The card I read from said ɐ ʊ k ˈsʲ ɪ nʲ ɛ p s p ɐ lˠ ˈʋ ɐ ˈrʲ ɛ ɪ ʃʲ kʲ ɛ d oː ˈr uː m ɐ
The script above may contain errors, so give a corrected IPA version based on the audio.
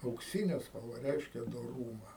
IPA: ɐ ʊ k ˈsʲ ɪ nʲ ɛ s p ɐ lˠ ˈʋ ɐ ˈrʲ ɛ ɪ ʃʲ kʲ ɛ d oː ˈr uː m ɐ